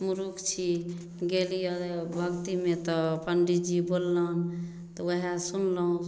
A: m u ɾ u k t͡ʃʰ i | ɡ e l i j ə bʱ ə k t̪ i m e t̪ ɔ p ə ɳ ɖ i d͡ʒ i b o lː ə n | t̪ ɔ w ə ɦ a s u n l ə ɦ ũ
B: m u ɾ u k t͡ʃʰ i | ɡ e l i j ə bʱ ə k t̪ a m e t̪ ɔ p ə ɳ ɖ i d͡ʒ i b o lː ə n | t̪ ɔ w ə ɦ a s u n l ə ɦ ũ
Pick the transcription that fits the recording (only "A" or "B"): A